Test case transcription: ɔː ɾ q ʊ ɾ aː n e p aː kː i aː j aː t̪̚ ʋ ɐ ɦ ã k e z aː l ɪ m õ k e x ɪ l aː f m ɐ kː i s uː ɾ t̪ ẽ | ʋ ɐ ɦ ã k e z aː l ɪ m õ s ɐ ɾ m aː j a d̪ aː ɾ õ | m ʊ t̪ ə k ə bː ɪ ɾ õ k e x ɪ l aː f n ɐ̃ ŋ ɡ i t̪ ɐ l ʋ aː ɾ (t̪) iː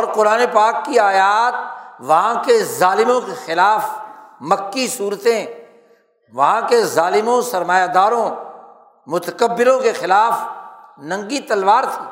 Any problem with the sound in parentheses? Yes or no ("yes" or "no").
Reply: yes